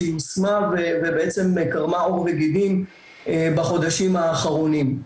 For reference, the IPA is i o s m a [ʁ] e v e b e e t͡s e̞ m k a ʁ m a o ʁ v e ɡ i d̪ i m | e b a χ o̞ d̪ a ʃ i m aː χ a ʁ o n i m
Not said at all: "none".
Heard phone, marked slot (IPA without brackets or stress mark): v